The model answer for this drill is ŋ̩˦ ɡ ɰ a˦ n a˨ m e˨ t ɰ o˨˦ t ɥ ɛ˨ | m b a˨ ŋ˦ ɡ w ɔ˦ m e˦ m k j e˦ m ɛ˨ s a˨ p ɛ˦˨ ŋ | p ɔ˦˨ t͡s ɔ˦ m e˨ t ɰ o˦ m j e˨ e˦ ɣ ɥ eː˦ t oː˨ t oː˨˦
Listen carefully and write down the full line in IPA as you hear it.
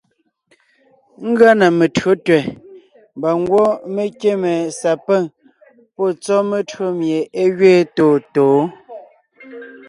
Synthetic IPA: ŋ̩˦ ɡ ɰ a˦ n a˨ m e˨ t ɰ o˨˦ t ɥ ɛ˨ | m b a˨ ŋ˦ ɡ w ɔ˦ m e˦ k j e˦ m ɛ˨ s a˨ p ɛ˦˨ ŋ | p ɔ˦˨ t͡s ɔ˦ m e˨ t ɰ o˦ m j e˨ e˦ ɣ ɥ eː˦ t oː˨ t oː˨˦

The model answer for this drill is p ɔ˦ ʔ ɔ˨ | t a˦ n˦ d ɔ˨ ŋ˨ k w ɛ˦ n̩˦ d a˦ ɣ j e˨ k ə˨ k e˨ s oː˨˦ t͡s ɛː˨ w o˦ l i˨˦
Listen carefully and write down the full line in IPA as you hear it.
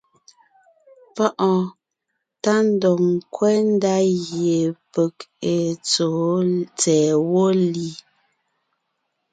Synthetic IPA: p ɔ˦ ʔ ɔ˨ | t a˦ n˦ d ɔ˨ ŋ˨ k w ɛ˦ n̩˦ d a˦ ɣ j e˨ p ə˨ k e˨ t͡s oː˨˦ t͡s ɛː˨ w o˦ l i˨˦

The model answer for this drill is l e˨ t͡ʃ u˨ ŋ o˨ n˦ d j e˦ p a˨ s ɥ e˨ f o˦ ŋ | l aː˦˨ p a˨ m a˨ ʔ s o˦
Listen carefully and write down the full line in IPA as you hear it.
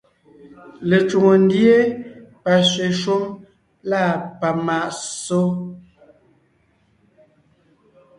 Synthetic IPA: l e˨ t͡ʃ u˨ ŋ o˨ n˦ d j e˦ p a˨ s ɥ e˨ ʃ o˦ m | l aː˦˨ p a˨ m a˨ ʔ s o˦

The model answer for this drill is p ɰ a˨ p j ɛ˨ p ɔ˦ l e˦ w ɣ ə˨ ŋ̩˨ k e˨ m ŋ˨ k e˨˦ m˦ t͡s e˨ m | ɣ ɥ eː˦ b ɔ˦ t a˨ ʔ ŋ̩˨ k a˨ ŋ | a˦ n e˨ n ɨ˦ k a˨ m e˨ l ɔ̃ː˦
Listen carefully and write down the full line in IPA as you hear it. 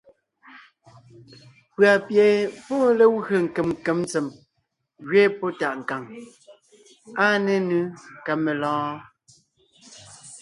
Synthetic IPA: p ɰ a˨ p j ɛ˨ p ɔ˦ l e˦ w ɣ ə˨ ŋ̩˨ k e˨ m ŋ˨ k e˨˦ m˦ t͡s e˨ m | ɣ ɥ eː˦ p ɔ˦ t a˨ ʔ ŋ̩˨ k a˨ ŋ | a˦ n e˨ n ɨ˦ k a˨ m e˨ l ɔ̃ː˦

